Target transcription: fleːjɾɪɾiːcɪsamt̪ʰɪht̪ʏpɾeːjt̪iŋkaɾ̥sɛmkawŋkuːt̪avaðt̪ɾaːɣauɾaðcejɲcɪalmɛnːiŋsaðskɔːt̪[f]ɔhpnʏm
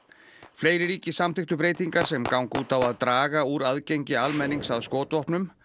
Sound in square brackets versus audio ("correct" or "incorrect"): incorrect